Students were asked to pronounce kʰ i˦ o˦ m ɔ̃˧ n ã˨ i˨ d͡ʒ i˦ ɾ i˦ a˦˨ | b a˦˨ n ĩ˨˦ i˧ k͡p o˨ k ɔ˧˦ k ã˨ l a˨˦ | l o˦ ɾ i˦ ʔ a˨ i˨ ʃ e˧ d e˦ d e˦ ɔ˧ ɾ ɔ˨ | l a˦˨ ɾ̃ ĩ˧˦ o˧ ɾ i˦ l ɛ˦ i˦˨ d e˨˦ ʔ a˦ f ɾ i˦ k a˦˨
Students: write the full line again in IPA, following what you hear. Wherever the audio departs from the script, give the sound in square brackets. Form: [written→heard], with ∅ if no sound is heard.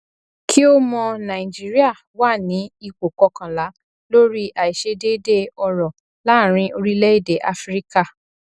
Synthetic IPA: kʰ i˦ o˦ m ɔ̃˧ n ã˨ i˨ d͡ʒ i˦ ɾ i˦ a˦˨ | [b→w] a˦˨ n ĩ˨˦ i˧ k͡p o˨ k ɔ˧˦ k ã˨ l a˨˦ | l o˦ ɾ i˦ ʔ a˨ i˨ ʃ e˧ d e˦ d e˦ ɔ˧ ɾ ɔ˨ | l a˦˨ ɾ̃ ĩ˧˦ o˧ ɾ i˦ l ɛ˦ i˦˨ d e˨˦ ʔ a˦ f ɾ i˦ k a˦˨